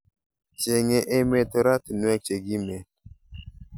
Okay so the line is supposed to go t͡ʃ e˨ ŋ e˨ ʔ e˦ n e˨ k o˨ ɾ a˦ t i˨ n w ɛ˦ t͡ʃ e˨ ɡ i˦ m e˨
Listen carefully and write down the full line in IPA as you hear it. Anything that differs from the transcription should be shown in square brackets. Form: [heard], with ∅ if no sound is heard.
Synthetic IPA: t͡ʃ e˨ ŋ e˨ ʔ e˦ [m] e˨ [t] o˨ ɾ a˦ t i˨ n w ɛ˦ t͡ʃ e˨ ɡ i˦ m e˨